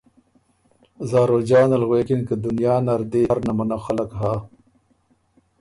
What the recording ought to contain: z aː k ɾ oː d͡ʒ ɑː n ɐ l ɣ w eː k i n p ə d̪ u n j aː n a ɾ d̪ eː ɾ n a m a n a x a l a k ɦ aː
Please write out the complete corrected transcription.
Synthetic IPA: z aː ɾ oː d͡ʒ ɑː n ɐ l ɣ w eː k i n k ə d̪ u n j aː n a ɾ d̪ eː ɾ n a m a n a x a l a k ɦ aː